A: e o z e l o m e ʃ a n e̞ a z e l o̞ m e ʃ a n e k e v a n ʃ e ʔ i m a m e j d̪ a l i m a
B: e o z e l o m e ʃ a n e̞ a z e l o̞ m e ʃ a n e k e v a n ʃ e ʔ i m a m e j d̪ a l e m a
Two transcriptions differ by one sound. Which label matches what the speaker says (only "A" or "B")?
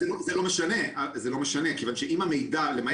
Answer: B